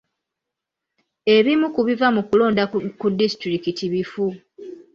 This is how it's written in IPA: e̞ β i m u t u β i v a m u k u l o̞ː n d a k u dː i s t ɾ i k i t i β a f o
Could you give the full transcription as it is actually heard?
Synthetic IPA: e̞ β i m u k u β i v a m u k u l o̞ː n d a k u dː i s t ɾ i k i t i β i f u